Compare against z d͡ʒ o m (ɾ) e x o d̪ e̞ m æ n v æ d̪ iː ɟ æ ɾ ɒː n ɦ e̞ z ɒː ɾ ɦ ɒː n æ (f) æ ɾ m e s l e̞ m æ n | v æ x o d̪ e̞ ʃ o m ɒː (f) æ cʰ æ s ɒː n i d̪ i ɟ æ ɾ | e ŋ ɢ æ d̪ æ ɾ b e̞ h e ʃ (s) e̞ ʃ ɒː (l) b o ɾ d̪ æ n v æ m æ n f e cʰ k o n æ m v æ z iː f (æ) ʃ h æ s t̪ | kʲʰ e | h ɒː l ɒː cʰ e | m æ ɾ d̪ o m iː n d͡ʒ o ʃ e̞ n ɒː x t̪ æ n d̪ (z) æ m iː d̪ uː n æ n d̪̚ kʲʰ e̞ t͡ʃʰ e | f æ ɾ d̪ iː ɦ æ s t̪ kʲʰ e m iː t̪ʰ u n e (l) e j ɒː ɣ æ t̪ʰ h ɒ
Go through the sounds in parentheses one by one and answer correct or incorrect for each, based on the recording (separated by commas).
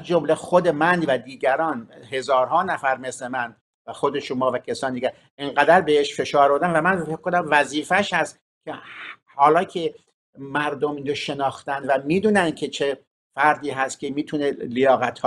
incorrect, correct, incorrect, incorrect, incorrect, correct, incorrect, correct